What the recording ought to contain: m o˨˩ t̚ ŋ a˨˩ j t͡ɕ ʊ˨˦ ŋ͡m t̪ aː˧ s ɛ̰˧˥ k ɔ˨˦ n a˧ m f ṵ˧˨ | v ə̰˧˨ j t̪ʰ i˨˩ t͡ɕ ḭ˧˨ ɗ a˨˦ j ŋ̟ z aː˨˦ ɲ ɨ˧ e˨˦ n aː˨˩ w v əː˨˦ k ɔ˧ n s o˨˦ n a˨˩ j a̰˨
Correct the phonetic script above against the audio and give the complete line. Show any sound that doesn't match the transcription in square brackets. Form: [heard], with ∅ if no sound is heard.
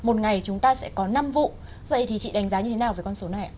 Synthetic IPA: m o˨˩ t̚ ŋ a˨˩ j t͡ɕ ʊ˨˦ ŋ͡m t̪ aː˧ s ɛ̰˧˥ k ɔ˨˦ n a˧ m [v] ṵ˧˨ | v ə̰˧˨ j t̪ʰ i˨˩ t͡ɕ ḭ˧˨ ɗ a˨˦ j ŋ̟ z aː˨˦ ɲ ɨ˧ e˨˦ n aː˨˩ w v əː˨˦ k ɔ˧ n s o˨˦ n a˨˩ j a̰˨

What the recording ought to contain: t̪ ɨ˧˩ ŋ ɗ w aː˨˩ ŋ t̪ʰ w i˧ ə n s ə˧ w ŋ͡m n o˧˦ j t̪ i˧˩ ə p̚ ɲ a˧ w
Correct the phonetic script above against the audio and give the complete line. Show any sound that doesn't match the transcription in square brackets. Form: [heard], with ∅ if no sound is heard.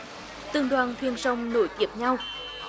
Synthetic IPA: t̪ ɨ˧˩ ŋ ɗ w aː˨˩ [n] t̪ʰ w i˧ ə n s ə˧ w ŋ͡m n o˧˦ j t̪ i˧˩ ə p̚ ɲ a˧ w

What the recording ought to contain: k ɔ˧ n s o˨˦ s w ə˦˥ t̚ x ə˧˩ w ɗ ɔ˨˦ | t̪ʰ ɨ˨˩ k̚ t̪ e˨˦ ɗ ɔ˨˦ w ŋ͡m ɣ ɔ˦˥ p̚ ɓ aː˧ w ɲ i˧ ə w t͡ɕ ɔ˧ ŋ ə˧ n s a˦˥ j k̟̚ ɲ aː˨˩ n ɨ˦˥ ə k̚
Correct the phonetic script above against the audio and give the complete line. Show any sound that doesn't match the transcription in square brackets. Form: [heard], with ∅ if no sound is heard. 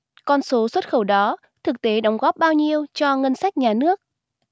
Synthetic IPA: k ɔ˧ n s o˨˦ s w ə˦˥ t̚ x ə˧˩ w ɗ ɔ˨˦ | t̪ʰ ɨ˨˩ k̚ t̪ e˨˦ ɗ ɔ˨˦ w ŋ͡m ɣ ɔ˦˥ p̚ ɓ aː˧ w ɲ i˧ ə w t͡ɕ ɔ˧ ŋ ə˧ n s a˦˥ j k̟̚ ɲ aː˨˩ n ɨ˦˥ ə k̚

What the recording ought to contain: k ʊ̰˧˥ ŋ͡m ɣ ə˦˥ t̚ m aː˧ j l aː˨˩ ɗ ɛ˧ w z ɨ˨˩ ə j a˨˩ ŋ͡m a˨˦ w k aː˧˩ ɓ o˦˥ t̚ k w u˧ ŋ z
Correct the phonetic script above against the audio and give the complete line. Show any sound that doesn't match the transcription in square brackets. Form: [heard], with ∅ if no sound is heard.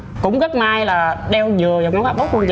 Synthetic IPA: k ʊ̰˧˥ ŋ͡m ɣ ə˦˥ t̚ m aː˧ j l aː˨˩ ɗ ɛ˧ w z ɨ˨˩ ə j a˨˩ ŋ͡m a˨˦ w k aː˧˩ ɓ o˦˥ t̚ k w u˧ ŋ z

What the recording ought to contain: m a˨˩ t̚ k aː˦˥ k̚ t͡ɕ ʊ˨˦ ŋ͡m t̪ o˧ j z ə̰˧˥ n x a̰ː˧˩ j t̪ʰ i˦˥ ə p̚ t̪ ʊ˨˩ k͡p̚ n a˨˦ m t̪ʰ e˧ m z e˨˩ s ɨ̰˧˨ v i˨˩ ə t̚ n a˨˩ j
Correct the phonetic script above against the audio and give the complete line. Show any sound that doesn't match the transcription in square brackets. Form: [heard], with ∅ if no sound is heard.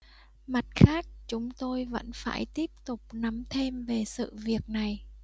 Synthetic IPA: m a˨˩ t̚ [x] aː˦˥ k̚ t͡ɕ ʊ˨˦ ŋ͡m t̪ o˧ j [v] ə̰˧˥ n [f] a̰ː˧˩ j [t̪] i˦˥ ə p̚ t̪ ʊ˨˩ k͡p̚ n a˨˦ m t̪ʰ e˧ m [v] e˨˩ s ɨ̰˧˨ v i˨˩ ə [k̚] n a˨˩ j

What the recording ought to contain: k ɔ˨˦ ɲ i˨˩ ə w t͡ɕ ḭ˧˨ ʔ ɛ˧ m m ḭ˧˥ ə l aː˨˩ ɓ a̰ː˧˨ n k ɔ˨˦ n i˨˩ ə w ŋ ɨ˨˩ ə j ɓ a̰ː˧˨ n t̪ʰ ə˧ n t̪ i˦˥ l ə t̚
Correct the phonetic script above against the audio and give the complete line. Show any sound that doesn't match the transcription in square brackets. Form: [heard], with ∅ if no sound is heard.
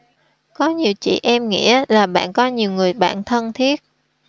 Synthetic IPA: k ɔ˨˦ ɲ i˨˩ ə w t͡ɕ ḭ˧˨ ʔ ɛ˧ m [ŋ] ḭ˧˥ ə l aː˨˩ ɓ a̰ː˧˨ n k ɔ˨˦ [ɲ] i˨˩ ə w ŋ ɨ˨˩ ə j ɓ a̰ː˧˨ n t̪ʰ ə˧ n [t̪ʰ] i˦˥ [∅] ə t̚

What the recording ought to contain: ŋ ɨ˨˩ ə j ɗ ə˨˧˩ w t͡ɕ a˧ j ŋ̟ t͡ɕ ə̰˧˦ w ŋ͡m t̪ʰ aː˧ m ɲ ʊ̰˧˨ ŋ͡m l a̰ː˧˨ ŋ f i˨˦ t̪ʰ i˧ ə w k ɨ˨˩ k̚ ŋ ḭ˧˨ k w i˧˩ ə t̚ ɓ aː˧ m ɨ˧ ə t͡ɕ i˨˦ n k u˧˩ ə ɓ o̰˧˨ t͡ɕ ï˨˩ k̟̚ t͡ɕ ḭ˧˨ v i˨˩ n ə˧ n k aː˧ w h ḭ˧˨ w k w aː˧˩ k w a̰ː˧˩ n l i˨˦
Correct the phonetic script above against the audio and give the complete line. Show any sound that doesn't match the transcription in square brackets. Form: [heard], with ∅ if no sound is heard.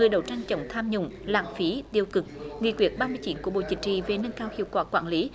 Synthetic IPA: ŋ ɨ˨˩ ə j ɗ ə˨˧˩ w t͡ɕ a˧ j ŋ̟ t͡ɕ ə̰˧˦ w ŋ͡m t̪ʰ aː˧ m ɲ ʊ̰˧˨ ŋ͡m l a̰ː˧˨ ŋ f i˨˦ [t̪] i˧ ə w k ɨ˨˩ k̚ ŋ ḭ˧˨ k w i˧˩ ə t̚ ɓ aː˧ m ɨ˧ ə t͡ɕ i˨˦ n k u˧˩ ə ɓ o̰˧˨ t͡ɕ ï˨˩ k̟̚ t͡ɕ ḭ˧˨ v [e˨˩] n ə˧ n k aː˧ w h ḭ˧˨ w k w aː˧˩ k w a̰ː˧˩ n l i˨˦

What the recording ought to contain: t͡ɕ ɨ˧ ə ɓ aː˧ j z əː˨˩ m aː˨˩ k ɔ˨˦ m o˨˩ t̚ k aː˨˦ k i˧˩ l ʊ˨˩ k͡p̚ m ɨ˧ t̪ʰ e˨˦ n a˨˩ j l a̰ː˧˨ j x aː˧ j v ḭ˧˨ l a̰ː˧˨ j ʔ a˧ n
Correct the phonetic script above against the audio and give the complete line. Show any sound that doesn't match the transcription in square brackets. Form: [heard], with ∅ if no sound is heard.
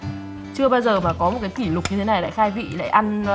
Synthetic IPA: t͡ɕ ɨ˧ ə ɓ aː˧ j z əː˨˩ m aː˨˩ k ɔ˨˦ m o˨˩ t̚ k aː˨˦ k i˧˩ l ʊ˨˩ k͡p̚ [ɲ] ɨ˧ t̪ʰ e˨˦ n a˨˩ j l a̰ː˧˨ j x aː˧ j v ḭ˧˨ l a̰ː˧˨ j ʔ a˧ n

